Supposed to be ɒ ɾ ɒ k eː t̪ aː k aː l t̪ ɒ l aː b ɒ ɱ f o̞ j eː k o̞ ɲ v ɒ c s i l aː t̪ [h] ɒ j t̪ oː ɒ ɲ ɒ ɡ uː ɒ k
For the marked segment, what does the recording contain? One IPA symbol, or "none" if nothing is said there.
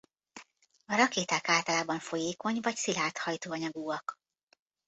h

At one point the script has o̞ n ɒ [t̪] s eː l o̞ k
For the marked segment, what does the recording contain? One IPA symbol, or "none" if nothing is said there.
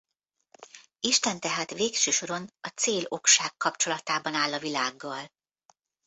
t̪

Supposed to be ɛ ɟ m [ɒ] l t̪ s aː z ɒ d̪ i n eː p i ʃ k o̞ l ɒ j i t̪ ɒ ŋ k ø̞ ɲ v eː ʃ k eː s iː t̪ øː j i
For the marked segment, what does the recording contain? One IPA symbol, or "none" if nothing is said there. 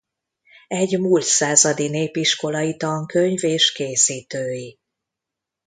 u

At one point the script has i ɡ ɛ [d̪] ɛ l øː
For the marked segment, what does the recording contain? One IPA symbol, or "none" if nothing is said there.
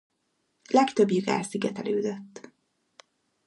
t̪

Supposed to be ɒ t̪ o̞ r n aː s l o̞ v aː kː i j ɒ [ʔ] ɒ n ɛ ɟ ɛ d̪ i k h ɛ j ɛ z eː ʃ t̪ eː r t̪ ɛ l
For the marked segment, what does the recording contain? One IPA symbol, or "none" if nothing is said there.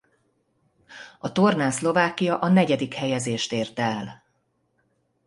ʔ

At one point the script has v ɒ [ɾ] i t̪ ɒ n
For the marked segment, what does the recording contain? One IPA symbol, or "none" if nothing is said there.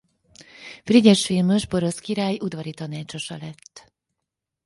ɾ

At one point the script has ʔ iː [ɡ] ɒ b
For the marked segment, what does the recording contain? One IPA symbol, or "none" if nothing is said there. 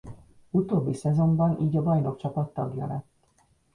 ɟ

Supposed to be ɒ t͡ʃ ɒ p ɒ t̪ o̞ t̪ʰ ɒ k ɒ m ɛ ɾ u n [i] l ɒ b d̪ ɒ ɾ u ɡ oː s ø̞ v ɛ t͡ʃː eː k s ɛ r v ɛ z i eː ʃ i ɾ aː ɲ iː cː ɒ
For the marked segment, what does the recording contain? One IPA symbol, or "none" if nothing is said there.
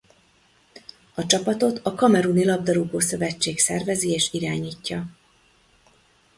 i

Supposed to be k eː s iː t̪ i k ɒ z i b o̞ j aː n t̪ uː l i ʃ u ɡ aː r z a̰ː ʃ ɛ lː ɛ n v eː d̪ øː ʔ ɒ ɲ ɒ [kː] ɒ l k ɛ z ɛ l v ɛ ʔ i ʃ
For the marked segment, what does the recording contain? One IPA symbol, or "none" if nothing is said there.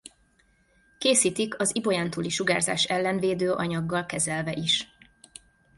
ɡː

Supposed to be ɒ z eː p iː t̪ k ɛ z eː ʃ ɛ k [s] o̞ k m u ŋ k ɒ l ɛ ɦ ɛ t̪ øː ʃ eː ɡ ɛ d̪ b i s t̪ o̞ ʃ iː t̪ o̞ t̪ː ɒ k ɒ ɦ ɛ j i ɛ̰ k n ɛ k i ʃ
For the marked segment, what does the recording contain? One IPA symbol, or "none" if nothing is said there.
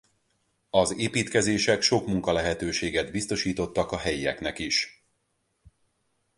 ʃ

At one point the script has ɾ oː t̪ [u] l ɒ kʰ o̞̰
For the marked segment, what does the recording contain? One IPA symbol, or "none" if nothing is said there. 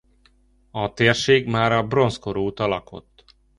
ɒ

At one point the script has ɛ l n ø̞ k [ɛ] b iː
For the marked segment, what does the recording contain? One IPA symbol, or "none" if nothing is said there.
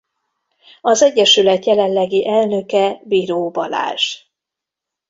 ɛ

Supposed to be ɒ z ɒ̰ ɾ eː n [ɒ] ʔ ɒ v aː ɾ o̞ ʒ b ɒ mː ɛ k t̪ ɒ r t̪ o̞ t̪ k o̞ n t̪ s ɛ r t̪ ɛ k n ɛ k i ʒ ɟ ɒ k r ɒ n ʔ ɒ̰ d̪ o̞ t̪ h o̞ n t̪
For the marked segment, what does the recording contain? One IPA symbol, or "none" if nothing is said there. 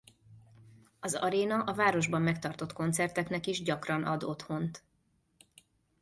ɒ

